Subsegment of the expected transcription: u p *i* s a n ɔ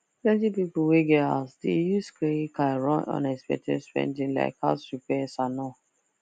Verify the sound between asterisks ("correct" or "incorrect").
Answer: incorrect